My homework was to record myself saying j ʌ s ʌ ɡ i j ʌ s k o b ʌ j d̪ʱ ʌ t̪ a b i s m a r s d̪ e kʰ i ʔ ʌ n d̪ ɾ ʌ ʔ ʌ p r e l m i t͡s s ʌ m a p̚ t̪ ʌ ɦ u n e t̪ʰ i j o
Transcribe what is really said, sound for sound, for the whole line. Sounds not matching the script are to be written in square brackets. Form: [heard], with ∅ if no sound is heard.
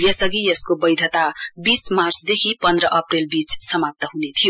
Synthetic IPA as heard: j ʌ s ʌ ɡ i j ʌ s k o b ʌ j d̪ʱ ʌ t̪ a b i s m a r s d̪ e kʰ i [p] ʌ n d̪ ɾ ʌ ʔ ʌ p r e l [b] i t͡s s ʌ m a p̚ t̪ ʌ ɦ u n e t̪ʰ i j o